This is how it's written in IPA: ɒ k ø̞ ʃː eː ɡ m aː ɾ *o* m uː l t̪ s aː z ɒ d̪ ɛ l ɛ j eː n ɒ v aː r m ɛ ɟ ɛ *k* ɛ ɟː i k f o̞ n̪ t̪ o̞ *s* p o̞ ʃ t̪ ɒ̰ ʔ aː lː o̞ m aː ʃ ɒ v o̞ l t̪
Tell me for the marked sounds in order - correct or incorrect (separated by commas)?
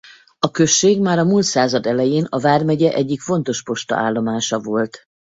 incorrect, incorrect, incorrect